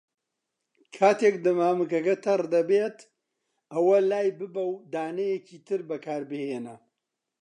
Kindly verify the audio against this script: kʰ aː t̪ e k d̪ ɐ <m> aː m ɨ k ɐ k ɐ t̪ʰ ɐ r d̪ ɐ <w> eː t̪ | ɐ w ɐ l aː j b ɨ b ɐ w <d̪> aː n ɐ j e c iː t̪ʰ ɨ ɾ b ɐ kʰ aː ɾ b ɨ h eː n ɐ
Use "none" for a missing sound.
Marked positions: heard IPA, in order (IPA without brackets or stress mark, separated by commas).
m, b, d̪